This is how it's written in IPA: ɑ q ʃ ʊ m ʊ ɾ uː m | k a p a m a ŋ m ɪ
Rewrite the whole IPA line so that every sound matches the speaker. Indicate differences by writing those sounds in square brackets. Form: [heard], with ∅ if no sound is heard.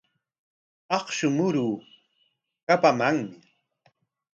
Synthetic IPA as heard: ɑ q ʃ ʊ m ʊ ɾ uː [∅] | k a p a m a ŋ m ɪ

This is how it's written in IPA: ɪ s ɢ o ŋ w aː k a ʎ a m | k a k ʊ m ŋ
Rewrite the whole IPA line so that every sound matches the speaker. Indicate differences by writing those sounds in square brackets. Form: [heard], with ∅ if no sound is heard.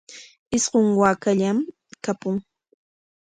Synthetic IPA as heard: ɪ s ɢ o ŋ w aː k a ʎ a m | k a [p] ʊ [∅] ŋ

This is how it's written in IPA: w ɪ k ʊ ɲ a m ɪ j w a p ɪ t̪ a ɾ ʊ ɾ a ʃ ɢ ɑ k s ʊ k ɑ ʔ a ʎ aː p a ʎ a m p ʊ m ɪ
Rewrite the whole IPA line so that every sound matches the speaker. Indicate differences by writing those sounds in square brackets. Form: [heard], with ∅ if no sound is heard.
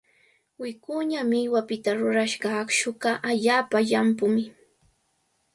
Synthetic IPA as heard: w ɪ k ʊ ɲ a m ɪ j w a p ɪ t̪ a ɾ ʊ ɾ a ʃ ɢ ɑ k [ʃ] ʊ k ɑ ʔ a ʎ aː p a ʎ a m p ʊ m ɪ

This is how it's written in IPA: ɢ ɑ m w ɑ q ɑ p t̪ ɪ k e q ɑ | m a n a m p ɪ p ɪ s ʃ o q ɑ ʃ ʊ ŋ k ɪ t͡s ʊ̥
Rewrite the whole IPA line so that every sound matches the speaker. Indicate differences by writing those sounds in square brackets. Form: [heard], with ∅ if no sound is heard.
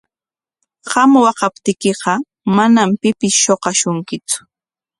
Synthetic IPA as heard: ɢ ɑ m w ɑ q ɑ p t̪ ɪ k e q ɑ | m a n a m p ɪ p ɪ s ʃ o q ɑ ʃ ʊ ŋ k ɪ t͡s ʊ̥

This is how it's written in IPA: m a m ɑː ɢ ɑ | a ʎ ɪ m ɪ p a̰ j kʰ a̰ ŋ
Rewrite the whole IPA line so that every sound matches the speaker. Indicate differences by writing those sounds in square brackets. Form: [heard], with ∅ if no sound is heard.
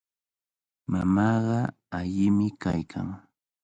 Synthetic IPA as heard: m a m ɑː ɢ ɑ | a ʎ ɪ m ɪ [k] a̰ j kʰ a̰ ŋ

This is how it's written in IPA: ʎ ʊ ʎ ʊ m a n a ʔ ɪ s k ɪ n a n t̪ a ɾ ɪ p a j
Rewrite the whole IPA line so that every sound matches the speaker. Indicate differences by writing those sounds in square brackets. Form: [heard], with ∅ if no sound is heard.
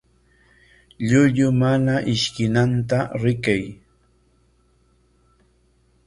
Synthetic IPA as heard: ʎ ʊ ʎ ʊ m a n a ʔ ɪ [ʃ] k ɪ n a n t̪ a ɾ ɪ [k] a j

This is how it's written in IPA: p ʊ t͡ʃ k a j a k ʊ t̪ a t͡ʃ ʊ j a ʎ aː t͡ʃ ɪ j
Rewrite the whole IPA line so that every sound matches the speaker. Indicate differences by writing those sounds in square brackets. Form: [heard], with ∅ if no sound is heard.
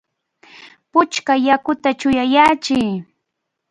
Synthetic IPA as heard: p ʊ t͡ʃ k a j a k ʊ t̪ a t͡ʃ ʊ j a [j] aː t͡ʃ ɪ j

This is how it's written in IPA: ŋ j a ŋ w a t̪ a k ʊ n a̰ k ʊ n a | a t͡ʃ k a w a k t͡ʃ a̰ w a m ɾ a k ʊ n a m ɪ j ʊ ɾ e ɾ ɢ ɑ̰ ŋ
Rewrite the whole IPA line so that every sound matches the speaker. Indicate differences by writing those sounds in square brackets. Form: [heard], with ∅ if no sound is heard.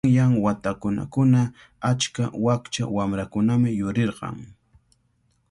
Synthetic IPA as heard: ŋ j a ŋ w a t̪ a k ʊ n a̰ k ʊ n a | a t͡ʃ k a w a k t͡ʃ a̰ w a m ɾ a k ʊ n a m ɪ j ʊ ɾ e ɾ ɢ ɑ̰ ŋ

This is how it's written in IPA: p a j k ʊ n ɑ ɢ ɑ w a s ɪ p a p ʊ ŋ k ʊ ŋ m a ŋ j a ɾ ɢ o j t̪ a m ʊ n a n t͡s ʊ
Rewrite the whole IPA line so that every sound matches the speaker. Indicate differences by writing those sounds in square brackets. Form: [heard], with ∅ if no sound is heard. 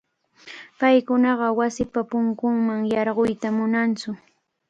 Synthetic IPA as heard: p a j k ʊ n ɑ ɢ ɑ w a s ɪ p a p ʊ ŋ k ʊ ŋ m a ŋ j [ɑ] ɾ ɢ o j t̪ a m ʊ n a n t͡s ʊ

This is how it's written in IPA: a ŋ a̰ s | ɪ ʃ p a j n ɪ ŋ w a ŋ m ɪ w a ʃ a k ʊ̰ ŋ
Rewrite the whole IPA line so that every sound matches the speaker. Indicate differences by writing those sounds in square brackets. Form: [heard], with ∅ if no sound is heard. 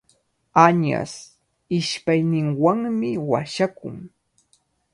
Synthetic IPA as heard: a [ɲ] a̰ s | ɪ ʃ p a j n ɪ ŋ w a ŋ m ɪ w a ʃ a k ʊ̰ ŋ

